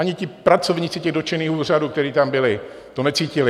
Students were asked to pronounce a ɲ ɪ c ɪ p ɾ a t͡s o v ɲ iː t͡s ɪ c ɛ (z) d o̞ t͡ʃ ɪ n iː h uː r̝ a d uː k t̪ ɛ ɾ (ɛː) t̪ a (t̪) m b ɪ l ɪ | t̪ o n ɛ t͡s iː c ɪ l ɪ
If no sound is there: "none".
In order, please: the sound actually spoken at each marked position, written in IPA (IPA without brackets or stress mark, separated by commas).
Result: ɣ, iː, none